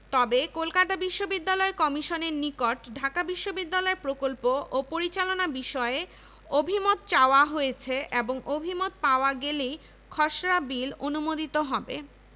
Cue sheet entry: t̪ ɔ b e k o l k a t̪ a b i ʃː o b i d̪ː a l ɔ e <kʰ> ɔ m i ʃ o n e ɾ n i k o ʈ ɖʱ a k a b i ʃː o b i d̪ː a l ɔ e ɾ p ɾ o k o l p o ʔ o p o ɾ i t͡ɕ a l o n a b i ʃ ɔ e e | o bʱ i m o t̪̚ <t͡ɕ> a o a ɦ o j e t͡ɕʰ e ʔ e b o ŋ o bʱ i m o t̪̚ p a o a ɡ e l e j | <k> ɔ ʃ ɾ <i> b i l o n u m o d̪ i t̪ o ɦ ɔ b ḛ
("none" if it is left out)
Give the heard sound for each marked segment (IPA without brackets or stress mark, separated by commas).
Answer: k, t͡ɕ, kʰ, a